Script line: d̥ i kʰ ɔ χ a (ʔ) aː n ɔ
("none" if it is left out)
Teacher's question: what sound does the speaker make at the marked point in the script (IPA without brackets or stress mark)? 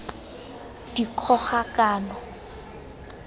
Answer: k